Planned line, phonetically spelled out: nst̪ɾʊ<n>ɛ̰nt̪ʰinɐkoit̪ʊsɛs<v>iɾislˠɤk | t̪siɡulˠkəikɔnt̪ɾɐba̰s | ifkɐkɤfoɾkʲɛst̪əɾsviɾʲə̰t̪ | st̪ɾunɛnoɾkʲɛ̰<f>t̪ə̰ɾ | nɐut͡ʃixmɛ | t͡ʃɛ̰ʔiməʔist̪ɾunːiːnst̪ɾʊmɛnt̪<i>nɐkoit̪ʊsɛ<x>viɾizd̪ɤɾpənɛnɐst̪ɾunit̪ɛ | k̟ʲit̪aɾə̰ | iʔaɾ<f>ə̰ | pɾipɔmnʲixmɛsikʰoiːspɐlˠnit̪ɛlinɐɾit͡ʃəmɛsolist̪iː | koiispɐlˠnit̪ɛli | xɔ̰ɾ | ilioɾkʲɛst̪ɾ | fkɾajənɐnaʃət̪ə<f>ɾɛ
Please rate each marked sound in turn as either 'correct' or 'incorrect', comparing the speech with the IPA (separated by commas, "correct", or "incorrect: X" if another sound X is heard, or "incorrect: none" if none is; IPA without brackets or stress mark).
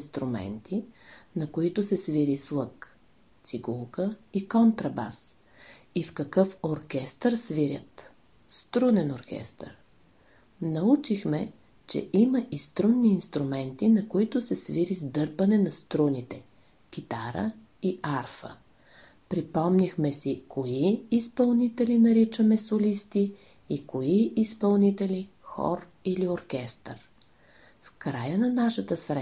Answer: incorrect: m, correct, incorrect: s, correct, incorrect: s, correct, incorrect: s